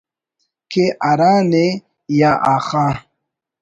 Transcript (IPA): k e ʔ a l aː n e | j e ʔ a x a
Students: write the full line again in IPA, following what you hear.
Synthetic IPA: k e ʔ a ɾ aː n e | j a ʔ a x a